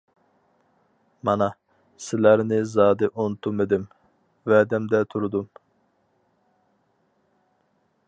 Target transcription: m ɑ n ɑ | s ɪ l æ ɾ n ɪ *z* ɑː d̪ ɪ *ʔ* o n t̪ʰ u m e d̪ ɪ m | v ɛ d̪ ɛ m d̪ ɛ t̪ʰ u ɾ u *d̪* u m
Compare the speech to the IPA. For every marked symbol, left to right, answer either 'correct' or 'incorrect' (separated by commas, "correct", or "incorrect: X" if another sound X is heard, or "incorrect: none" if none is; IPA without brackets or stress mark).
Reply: correct, correct, correct